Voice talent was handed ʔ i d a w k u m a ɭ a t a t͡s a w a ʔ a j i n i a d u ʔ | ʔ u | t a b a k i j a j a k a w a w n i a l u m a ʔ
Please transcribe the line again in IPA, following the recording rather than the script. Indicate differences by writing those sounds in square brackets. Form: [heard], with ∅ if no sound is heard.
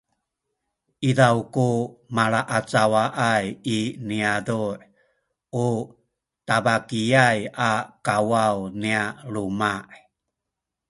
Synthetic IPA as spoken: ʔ i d a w k u m a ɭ a [ʔ] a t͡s a w a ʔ a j i n i a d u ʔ | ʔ u | t a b a k i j a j a k a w a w n i a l u m a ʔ